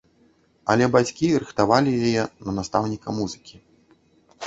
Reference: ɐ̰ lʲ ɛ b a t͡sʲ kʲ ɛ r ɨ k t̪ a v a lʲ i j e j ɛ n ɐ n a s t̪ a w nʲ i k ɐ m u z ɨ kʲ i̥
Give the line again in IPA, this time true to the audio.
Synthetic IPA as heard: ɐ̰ lʲ ɛ b a t͡sʲ kʲ i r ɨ x t̪ a v a lʲ i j a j ɛ n ɐ n a s t̪ a w nʲ i k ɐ m u z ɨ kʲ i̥